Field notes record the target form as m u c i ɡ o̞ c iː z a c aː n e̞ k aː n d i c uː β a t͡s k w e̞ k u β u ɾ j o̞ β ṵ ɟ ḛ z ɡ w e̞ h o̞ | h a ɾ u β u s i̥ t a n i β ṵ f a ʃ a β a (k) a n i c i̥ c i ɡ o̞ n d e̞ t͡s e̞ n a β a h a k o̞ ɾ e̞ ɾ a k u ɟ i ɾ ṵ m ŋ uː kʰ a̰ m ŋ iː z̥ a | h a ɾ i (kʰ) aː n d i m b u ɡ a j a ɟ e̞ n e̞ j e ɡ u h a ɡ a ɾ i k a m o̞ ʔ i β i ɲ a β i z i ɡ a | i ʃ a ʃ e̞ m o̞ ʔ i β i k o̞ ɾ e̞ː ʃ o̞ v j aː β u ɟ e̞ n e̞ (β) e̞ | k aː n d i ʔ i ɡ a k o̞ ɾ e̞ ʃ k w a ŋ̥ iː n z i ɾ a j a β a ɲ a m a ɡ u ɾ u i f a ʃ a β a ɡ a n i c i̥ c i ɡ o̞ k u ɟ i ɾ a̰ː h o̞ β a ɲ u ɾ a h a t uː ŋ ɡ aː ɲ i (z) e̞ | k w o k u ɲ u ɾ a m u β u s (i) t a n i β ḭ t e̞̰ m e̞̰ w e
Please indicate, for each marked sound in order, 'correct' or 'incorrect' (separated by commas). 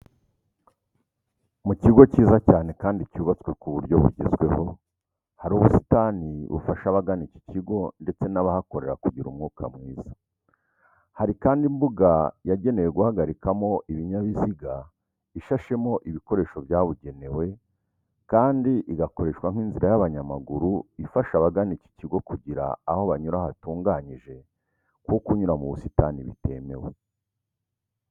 incorrect, incorrect, incorrect, incorrect, correct